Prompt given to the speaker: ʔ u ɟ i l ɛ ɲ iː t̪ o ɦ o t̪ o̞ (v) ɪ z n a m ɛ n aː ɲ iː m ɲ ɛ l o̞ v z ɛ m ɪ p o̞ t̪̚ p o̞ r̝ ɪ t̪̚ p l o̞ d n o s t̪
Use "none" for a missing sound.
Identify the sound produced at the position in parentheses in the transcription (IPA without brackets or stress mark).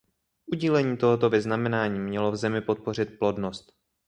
v